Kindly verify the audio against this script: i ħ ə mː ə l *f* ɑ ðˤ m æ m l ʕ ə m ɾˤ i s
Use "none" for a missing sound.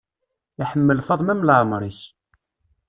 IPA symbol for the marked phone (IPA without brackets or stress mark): f